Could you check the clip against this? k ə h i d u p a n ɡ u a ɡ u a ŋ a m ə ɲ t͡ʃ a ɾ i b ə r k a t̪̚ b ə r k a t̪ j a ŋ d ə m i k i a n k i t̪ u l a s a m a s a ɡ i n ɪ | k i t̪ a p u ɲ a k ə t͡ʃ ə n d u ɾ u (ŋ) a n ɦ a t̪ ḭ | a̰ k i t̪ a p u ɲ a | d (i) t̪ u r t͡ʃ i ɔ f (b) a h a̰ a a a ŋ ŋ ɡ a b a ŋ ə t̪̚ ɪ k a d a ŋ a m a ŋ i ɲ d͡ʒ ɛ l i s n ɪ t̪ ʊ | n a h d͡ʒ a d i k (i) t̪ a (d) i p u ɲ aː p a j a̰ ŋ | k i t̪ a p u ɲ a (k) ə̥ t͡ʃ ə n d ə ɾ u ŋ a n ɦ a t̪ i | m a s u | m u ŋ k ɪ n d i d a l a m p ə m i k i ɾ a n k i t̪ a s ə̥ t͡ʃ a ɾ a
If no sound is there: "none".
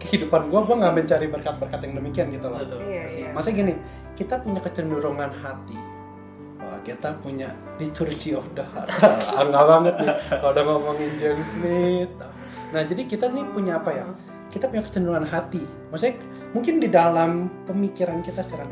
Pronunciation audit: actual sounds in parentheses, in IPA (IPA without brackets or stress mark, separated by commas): ŋ, i, d, i, n, k